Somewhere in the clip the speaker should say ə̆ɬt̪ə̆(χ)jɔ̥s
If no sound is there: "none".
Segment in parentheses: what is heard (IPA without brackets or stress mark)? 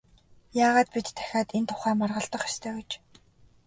χ